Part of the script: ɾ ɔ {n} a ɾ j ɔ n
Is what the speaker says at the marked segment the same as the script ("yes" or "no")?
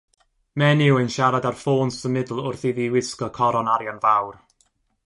yes